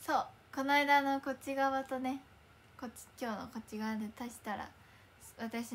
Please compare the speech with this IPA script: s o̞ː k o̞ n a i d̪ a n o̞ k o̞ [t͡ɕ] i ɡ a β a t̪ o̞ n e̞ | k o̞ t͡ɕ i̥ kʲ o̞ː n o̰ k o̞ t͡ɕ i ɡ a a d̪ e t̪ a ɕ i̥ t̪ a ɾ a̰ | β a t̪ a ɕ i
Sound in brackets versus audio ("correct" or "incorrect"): correct